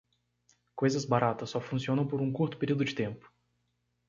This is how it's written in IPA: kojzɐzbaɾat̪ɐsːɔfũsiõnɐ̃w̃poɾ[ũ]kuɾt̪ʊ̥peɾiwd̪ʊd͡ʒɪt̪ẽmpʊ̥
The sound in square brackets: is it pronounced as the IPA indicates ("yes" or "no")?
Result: yes